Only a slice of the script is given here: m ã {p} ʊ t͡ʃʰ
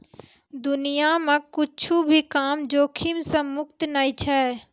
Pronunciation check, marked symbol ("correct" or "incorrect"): incorrect